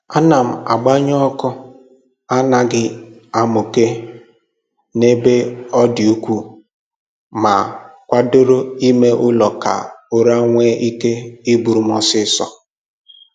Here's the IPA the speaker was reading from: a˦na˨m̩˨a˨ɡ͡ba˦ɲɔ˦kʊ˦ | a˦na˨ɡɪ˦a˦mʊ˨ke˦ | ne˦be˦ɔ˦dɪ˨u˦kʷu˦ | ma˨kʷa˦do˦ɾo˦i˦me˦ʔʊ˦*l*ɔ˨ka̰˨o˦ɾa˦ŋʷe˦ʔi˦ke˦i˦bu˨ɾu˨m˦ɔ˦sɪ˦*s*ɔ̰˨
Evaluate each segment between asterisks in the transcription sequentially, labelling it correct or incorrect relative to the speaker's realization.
correct, correct

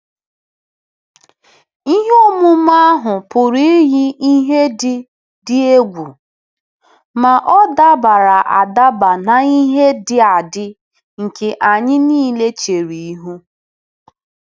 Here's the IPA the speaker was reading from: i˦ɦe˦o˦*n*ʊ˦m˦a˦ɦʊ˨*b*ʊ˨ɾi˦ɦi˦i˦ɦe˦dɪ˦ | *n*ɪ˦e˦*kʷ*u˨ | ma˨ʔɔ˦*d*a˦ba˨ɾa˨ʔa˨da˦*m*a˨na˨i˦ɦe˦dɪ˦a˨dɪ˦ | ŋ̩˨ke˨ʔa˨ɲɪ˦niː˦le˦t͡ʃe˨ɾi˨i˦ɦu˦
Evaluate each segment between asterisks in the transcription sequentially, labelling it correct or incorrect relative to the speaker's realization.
incorrect: m, incorrect: p, incorrect: d, incorrect: ɡʷ, correct, incorrect: b

